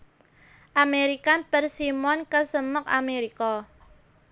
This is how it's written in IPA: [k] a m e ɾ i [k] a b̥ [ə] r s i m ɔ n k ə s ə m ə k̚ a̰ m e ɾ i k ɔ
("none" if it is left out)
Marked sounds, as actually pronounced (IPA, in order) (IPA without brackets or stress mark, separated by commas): ʔ, k, ə